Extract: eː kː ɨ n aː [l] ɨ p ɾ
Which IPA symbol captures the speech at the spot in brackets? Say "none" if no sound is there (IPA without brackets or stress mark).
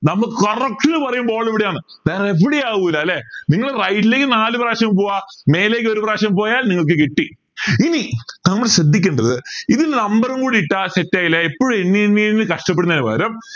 l